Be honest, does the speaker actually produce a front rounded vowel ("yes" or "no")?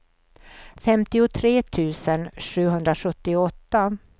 no